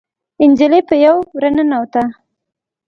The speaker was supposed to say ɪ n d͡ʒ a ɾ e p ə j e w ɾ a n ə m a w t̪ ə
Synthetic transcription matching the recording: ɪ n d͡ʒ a l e p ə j a w ɾ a n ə n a w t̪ a